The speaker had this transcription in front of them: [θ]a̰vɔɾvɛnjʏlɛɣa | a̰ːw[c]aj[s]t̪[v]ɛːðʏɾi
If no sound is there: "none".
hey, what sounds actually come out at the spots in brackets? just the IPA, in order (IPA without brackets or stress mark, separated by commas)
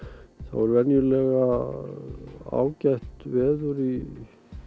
θ, c, h, v